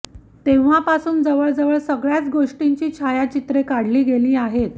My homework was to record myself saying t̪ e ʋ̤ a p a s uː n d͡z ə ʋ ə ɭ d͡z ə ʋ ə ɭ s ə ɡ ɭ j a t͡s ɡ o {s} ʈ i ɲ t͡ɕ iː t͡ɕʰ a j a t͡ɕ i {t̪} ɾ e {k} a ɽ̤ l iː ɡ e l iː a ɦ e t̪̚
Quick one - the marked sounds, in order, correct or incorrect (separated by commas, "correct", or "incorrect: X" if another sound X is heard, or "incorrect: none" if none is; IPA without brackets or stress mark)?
incorrect: ʂ, correct, correct